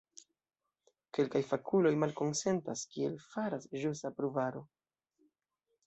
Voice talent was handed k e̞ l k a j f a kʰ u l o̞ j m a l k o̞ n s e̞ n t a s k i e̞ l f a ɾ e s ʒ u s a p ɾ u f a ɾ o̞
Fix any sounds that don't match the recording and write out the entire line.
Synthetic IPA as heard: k e̞ l k a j f a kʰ u l o̞ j m a l k o̞ n s e̞ n t a s k i e̞ l f a ɾ a s ʒ u s a p ɾ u v a ɾ o̞